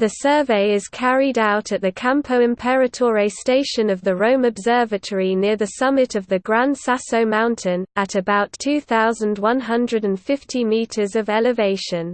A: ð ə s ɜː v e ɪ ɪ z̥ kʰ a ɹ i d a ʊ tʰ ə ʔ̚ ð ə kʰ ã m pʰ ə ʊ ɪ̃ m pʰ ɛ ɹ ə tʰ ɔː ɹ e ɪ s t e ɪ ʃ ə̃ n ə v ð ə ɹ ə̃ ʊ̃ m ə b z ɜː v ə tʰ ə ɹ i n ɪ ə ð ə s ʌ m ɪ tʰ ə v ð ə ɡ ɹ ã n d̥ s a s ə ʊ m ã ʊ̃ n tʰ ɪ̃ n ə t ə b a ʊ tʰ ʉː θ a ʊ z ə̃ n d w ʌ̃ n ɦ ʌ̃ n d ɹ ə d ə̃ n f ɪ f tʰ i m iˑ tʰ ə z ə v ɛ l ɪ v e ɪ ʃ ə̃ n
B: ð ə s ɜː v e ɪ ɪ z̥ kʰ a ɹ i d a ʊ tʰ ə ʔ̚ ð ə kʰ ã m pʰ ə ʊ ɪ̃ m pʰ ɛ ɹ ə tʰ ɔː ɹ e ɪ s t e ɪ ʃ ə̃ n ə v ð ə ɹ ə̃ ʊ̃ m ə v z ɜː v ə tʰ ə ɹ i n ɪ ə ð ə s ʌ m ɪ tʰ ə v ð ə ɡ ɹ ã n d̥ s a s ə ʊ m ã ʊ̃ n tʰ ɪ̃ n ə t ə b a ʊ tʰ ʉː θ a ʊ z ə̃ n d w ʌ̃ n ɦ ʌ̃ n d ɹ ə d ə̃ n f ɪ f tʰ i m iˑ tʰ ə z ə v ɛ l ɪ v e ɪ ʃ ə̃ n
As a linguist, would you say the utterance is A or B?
A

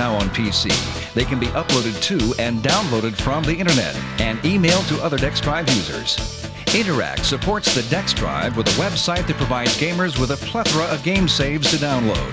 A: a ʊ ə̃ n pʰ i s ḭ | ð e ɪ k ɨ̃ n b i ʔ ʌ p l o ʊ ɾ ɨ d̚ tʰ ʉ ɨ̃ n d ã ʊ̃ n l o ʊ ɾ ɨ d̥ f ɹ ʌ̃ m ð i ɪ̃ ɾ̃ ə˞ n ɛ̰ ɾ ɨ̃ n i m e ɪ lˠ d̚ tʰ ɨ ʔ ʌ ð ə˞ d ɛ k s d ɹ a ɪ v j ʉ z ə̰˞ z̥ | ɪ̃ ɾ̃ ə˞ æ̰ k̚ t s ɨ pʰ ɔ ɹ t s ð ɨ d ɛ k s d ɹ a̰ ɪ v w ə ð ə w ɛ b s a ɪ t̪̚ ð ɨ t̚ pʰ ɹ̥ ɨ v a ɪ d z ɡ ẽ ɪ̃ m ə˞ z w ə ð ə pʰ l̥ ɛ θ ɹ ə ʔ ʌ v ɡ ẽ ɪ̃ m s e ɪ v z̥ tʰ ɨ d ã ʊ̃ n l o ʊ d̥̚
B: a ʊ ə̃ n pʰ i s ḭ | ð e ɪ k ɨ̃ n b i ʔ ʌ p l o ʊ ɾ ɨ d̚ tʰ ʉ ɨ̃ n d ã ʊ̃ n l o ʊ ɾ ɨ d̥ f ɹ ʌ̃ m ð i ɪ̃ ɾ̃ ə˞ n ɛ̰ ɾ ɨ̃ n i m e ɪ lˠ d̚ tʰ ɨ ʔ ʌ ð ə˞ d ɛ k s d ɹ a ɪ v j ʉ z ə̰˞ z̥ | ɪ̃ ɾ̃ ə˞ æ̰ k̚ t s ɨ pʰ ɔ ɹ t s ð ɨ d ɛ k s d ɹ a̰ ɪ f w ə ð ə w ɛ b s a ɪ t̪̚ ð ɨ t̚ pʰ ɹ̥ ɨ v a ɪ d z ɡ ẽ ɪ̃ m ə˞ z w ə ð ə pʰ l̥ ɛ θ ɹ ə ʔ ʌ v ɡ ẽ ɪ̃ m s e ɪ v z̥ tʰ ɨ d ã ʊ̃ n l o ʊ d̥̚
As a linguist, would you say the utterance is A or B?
A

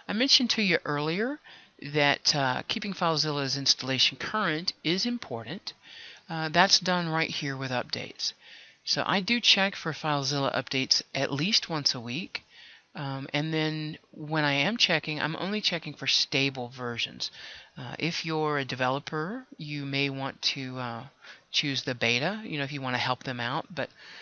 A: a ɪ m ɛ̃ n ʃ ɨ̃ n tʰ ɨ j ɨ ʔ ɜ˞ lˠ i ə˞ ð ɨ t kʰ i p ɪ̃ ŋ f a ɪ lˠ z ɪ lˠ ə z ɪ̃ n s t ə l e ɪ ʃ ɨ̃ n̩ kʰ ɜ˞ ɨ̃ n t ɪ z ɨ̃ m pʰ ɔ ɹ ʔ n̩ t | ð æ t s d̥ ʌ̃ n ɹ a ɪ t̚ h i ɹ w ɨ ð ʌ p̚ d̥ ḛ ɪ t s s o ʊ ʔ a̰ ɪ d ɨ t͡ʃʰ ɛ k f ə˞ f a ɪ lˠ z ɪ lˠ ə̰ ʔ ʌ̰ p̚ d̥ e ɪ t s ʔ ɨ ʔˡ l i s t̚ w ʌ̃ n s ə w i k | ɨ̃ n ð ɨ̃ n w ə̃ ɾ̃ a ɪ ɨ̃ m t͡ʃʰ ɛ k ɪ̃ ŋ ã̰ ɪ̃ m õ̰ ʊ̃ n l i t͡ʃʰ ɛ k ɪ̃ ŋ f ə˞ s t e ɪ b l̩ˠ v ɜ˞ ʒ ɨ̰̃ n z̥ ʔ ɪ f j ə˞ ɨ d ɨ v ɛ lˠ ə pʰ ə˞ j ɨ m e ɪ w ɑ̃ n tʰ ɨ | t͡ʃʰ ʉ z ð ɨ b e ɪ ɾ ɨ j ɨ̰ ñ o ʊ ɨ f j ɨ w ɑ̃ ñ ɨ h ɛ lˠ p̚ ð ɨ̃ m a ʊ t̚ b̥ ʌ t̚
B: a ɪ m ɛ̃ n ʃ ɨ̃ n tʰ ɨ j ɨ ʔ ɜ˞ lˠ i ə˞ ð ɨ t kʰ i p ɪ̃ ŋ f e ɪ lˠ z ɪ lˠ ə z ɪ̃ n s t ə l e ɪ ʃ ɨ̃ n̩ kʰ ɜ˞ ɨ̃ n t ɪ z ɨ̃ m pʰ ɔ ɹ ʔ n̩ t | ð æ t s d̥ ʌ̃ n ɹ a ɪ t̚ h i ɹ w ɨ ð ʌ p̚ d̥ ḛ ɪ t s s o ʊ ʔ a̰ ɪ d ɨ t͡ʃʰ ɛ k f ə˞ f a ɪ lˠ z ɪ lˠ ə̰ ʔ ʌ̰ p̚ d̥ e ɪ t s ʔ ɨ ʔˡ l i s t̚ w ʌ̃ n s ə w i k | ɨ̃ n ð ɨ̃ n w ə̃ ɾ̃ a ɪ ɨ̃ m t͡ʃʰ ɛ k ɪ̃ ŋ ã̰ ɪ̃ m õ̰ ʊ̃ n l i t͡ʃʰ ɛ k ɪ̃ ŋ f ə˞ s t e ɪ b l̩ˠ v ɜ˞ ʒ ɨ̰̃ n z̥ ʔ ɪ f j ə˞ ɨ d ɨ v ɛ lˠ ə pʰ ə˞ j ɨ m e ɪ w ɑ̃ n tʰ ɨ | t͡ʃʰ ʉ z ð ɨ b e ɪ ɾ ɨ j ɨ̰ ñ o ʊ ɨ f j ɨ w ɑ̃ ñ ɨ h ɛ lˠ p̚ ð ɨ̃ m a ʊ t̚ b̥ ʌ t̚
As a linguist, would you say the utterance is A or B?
A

